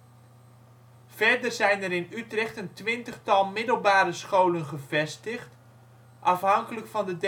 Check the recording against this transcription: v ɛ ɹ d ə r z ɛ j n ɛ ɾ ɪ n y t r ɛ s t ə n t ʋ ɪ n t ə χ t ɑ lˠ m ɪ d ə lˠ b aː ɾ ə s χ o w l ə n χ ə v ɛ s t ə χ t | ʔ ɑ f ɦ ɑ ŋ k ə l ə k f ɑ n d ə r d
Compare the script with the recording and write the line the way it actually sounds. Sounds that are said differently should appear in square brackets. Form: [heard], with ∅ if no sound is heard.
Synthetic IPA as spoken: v ɛ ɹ d ə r z ɛ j n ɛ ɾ ɪ n y t r ɛ [χ] t ə n t ʋ ɪ n t ə χ t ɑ lˠ m ɪ d ə lˠ b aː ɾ ə s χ o w l ə n χ ə v ɛ s t ə χ t | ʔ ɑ f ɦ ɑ ŋ k ə l ə k f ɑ n d ə [∅] d